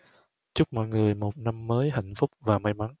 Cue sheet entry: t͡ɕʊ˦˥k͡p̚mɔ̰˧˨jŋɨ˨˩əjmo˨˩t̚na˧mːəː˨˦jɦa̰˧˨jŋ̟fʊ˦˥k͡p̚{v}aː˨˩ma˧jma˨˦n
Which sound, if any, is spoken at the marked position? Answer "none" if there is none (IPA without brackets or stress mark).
v